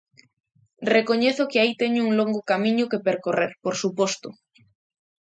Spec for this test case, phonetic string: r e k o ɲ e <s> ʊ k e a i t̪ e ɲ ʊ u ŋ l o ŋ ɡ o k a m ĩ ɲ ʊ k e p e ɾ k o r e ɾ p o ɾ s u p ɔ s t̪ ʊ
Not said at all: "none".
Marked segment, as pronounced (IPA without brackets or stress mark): θ